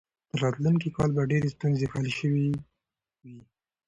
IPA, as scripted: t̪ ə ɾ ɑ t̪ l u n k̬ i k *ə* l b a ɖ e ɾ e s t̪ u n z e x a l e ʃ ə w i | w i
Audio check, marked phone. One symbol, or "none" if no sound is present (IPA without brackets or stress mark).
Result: ɑ